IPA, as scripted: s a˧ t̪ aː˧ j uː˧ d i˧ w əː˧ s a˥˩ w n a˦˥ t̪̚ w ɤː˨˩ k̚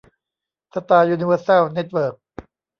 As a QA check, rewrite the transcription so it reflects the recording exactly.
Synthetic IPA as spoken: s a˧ t̪ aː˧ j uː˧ n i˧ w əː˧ s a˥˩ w n e˦˥ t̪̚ w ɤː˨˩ k̚